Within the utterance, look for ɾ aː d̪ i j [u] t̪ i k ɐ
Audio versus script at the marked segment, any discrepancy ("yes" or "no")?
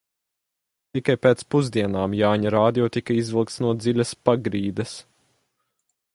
yes